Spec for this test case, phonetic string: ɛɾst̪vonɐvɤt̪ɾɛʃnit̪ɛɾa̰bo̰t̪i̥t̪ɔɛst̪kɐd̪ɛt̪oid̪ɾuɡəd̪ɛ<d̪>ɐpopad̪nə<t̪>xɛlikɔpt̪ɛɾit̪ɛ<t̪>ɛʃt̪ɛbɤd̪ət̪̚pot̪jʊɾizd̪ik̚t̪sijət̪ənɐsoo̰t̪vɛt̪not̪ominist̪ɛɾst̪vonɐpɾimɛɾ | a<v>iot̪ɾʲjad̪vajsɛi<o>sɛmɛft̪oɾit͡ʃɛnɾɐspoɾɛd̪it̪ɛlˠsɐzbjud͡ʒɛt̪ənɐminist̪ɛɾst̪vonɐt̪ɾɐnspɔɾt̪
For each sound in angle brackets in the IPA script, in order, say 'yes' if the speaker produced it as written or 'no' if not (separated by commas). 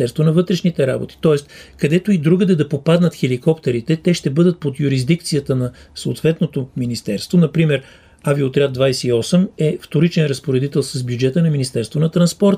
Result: yes, yes, yes, yes, no